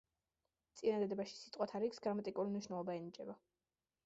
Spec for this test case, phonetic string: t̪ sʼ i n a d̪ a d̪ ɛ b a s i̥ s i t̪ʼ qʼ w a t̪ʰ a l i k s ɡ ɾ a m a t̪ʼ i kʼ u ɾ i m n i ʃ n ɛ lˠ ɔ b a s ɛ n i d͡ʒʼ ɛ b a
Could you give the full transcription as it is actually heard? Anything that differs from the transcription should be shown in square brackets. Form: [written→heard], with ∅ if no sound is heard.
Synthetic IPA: t̪ sʼ i n a d̪ a d̪ ɛ b a [s→ʃ] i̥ s i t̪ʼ qʼ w a t̪ʰ a [l→ɾ] i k s ɡ ɾ a m a t̪ʼ i kʼ u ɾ i m n i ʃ n ɛ lˠ ɔ b a [s→∅] ɛ n i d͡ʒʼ ɛ b a